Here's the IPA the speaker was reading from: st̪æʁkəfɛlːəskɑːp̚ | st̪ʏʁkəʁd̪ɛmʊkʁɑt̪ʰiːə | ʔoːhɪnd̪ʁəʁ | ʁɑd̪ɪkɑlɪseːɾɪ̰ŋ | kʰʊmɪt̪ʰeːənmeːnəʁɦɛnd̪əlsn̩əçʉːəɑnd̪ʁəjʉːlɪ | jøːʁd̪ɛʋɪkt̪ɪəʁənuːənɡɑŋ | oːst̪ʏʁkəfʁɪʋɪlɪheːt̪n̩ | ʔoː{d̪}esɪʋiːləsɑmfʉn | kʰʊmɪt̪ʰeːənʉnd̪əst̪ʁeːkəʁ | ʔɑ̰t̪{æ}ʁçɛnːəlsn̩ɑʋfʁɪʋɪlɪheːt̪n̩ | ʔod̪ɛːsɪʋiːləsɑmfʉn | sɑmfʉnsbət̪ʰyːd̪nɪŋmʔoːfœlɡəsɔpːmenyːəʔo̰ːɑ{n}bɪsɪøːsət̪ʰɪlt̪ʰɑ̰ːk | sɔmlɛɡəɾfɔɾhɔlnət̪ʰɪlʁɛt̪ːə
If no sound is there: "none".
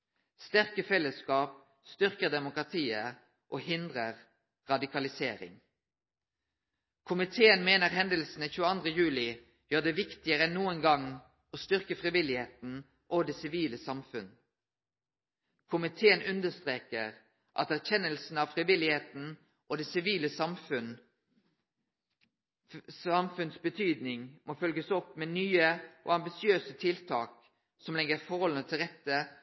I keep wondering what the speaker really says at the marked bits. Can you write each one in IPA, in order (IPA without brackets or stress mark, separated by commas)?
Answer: d̪, æ, m